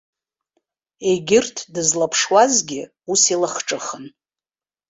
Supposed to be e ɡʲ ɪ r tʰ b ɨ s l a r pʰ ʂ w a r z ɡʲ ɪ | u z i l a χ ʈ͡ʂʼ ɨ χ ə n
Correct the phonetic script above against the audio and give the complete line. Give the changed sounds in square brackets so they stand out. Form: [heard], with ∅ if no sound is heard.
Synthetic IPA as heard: e ɡʲ ɪ r tʰ [d] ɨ [z] l a [∅] pʰ ʂ w a [∅] z ɡʲ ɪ | u [s] i l a χ ʈ͡ʂʼ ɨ χ ə n